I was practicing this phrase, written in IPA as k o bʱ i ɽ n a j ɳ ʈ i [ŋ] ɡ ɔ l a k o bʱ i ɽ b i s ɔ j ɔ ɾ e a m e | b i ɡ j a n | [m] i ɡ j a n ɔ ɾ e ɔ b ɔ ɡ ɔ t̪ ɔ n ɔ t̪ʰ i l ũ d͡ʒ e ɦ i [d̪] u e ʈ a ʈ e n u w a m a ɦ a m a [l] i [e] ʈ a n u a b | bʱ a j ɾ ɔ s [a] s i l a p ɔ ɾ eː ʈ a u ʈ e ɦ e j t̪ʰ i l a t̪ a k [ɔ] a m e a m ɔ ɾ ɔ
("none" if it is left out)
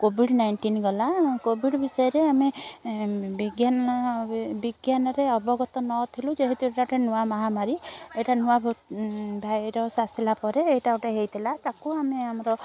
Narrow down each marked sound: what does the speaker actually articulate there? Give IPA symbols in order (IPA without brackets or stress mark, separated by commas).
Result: n, b, t̪, ɾ, e, a, u